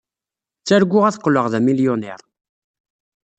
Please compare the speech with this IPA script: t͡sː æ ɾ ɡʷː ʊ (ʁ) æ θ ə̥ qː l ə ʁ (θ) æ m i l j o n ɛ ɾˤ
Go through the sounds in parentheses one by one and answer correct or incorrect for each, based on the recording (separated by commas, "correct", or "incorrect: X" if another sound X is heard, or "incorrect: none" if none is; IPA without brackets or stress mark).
correct, incorrect: ð